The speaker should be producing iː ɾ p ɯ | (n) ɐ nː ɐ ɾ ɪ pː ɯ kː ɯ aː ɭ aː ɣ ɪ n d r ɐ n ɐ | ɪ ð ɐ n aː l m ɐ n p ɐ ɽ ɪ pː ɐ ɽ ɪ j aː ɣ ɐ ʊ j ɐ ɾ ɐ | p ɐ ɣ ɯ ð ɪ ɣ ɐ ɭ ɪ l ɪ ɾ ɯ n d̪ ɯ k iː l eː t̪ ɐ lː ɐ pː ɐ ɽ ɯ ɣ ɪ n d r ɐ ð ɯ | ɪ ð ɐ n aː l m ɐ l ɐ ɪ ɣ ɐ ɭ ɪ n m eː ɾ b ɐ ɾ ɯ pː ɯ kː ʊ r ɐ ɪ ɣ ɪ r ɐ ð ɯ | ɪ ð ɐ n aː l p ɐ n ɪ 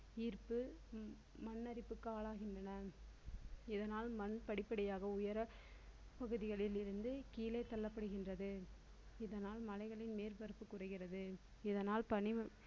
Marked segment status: incorrect: m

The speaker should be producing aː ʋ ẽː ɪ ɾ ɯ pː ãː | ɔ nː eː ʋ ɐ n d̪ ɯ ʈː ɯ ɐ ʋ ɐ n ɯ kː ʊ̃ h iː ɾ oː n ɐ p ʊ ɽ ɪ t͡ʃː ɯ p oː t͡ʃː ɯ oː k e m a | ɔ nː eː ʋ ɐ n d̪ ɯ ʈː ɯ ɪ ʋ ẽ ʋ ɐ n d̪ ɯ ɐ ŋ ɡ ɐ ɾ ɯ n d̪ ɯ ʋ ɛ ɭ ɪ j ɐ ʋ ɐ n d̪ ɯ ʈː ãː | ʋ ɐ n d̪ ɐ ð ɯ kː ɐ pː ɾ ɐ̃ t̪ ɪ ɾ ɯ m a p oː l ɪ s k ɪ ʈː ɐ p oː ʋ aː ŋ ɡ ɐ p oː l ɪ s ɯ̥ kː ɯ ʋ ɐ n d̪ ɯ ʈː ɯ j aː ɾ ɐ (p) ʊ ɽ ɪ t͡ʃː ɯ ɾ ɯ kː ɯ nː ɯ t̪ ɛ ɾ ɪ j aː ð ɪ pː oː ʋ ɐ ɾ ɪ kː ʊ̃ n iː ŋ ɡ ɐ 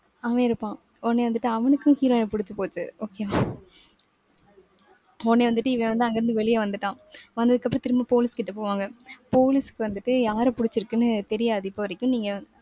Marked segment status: correct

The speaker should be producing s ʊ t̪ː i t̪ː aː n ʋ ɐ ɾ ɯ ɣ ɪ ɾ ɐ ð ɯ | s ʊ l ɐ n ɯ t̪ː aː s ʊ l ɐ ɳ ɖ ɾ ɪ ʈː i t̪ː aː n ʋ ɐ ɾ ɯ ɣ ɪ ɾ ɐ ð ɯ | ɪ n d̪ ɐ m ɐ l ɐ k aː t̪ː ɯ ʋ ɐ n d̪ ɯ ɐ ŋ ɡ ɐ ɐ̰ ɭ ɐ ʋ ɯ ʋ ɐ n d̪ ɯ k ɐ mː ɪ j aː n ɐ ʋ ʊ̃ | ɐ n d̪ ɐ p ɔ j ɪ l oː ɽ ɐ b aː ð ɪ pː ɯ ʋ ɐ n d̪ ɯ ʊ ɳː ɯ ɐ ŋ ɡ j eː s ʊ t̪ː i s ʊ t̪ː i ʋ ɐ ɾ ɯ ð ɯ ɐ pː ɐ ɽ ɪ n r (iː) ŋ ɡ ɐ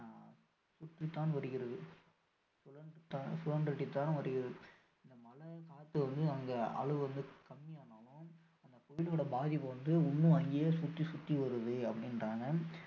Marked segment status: incorrect: aː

